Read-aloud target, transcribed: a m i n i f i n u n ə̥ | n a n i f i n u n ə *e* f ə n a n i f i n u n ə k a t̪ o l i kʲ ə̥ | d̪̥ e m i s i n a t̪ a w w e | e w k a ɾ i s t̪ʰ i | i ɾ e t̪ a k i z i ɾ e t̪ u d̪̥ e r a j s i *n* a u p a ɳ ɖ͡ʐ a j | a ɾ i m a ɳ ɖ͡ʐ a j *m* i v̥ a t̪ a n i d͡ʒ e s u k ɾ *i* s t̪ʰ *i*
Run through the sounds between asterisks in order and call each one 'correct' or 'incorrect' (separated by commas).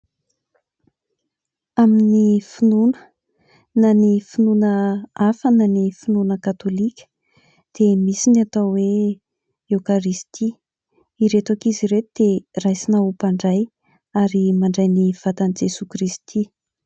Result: incorrect, correct, incorrect, correct, correct